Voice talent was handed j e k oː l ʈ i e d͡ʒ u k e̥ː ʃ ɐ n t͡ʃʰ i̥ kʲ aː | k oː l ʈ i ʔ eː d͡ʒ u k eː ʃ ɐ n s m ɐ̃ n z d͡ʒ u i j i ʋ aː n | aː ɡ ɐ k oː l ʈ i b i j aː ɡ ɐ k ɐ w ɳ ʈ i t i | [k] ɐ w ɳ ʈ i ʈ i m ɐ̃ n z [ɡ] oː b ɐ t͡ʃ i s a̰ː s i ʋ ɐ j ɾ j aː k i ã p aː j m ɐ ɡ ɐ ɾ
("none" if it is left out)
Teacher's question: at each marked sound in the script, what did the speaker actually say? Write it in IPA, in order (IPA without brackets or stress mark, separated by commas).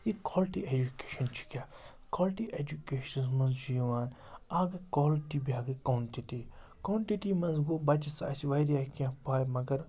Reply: k, ɡ